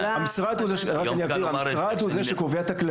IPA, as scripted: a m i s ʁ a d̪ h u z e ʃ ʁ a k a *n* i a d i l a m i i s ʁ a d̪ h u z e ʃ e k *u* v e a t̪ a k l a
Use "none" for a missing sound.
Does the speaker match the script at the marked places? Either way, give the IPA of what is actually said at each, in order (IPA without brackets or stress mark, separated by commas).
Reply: n, o